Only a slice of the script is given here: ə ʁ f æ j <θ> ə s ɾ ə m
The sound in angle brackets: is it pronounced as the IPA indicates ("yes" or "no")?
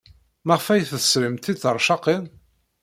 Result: yes